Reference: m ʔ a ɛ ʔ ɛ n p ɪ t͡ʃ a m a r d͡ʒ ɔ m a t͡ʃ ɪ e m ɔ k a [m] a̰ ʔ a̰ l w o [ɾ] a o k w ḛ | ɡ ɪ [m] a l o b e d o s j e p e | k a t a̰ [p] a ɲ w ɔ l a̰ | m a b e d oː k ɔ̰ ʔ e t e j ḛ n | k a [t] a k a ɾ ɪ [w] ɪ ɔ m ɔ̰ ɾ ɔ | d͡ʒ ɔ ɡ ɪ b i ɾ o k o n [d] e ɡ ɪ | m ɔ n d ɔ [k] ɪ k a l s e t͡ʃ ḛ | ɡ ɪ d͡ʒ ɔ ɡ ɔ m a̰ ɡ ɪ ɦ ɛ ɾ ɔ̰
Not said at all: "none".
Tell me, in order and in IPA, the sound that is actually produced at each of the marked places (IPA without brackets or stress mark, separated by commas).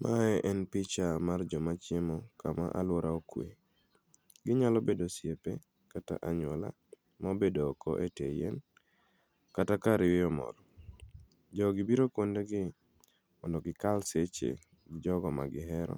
m, ɾ, ɲ, ʔ, t, w, d, ɡ